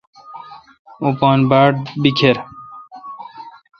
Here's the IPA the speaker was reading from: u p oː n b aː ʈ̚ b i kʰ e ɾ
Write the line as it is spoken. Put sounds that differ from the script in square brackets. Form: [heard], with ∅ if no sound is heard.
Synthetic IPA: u p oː n b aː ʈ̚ b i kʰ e ɾ